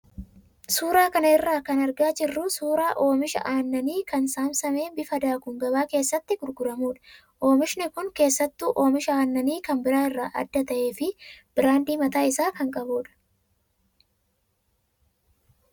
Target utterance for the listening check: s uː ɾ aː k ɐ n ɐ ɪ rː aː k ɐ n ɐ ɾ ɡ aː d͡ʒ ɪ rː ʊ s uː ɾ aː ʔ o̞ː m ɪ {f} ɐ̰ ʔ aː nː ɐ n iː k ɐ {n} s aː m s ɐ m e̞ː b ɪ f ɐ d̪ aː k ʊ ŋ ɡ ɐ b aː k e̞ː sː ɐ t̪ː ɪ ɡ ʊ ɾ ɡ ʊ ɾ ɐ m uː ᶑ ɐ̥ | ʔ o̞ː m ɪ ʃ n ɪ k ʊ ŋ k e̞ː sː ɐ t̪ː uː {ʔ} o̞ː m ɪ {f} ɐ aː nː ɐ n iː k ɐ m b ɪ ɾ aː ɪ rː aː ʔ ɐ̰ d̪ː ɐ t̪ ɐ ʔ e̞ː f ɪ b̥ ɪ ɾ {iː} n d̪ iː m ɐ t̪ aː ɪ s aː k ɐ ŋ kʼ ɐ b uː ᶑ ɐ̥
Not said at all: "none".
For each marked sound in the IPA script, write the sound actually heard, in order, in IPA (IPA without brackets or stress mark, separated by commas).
ʃ, n, ʔ, ʃ, aː